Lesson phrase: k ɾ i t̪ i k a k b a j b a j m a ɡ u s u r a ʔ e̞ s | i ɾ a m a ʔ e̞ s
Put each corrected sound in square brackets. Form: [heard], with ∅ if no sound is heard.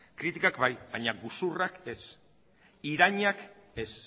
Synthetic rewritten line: k ɾ i t̪ i k a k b a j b a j [ɲ] a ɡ u s u r a [k] e̞ s | i ɾ a [ɲ] a [k] e̞ s